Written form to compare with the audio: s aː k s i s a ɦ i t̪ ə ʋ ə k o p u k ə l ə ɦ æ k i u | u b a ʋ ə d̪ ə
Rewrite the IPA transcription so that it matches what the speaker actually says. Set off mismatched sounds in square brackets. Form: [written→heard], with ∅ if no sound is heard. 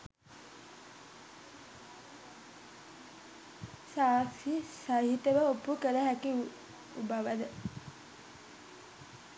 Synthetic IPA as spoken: s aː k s i s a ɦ i t̪ ə ʋ ə [k→∅] o p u k ə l ə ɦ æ k i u | u b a ʋ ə d̪ ə